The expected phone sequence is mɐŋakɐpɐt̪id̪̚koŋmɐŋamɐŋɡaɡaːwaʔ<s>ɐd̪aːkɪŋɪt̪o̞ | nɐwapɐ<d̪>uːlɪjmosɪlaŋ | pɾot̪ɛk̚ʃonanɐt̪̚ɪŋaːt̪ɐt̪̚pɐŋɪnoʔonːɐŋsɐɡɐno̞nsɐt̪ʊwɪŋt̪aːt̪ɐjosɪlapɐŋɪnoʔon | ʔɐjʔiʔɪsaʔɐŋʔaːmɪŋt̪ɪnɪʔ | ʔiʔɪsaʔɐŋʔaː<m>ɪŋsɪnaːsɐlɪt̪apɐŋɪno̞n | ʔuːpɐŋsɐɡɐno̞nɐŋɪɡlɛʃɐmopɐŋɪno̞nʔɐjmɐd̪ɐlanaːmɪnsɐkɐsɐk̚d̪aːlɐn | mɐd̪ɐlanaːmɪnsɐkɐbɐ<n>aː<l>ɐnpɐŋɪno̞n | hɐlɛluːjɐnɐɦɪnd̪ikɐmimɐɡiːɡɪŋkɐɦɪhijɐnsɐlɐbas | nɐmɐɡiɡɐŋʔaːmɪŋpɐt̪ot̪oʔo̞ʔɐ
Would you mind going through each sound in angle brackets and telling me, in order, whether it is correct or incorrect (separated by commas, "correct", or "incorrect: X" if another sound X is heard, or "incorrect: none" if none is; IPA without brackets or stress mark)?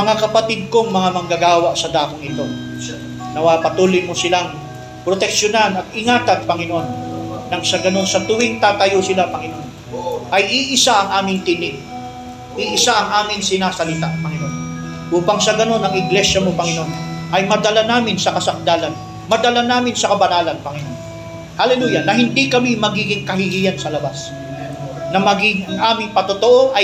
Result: correct, incorrect: t̪, correct, correct, correct